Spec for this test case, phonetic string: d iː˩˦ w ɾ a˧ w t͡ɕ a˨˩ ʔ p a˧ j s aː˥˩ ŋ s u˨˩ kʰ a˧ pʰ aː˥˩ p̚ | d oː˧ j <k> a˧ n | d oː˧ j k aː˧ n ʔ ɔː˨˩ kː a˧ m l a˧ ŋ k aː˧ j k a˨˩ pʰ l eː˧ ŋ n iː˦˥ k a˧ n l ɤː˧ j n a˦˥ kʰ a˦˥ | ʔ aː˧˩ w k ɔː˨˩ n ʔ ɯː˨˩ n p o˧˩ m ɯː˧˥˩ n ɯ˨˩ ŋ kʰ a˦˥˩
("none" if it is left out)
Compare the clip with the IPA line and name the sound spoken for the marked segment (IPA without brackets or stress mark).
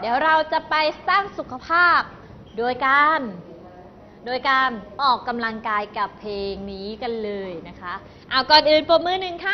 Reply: k